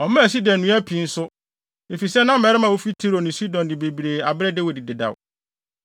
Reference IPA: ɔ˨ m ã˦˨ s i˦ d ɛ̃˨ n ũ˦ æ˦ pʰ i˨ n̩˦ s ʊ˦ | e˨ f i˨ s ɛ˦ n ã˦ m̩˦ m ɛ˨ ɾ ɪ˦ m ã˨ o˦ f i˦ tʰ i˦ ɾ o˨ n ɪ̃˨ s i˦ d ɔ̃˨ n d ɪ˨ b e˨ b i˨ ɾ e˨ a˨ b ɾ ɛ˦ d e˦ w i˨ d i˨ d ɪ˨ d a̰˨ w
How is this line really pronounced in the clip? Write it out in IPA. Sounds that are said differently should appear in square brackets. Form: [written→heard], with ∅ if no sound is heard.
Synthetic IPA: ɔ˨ m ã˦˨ s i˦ d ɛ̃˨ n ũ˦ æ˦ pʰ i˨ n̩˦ s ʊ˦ | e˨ f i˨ s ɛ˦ n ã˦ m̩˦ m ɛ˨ ɾ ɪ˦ m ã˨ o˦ f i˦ tʰ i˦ ɾ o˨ n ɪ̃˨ s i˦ d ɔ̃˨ n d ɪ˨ b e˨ b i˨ ɾ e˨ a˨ b ɾ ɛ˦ d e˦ w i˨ d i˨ d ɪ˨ d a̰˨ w